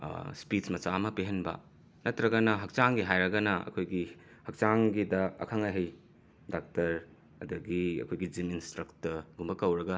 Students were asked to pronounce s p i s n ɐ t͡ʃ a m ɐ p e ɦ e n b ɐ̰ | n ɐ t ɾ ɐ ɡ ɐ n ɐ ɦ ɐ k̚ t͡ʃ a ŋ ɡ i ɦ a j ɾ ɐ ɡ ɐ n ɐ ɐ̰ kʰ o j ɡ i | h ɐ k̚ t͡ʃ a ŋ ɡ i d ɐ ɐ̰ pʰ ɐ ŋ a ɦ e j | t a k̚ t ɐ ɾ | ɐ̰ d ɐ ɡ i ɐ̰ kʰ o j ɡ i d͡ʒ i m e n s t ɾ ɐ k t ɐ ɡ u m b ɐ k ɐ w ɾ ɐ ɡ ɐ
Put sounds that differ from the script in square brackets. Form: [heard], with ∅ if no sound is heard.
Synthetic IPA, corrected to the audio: s p i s [m] ɐ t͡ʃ a m ɐ p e ɦ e n b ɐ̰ | n ɐ t ɾ ɐ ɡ ɐ n ɐ ɦ ɐ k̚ t͡ʃ a ŋ ɡ i ɦ a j ɾ ɐ ɡ ɐ n ɐ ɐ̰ kʰ o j ɡ i | h ɐ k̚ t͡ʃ a ŋ ɡ i d ɐ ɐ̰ [kʰ] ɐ ŋ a ɦ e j | [d] a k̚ t ɐ ɾ | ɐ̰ d ɐ ɡ i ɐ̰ kʰ o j ɡ i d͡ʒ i m [i] n s t ɾ ɐ k t ɐ ɡ u m b ɐ k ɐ w ɾ ɐ ɡ ɐ